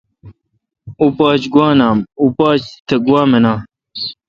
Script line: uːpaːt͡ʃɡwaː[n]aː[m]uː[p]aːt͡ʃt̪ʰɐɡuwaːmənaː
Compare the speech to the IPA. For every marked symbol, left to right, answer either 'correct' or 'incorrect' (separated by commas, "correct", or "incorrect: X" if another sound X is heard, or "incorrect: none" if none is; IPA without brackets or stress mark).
correct, correct, correct